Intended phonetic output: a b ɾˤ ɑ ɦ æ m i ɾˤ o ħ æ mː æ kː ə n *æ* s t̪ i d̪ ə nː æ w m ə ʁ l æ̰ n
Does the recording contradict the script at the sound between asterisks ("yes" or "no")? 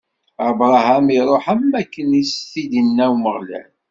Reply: yes